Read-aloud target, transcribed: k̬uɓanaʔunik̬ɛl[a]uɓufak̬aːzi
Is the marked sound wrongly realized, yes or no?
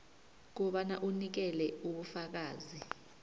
yes